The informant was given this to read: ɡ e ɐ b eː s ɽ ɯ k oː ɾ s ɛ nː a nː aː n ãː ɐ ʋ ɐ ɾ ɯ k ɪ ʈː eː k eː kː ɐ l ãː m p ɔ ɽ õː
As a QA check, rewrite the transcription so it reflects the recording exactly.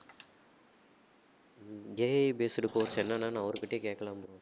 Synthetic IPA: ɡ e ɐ b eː s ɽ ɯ k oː ɾ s ɛ nː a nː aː n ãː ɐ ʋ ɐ ɾ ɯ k ɪ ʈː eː k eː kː ɐ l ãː m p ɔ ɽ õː